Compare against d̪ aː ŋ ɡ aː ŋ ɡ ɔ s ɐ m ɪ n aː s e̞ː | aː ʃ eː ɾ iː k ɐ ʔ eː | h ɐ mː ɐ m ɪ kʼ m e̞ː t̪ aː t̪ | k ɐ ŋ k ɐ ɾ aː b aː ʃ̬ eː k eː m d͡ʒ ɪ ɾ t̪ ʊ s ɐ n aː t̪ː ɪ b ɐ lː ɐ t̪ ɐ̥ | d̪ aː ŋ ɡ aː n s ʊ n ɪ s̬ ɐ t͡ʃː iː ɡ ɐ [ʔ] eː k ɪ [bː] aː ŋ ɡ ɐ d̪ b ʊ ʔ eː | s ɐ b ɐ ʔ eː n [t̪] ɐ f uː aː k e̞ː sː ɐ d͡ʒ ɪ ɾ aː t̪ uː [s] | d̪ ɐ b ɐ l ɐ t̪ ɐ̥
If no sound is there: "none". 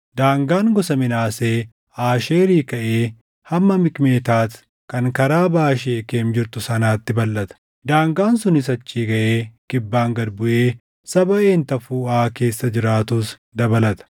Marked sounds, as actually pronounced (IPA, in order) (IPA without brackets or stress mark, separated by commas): ʔ, bː, t̪, s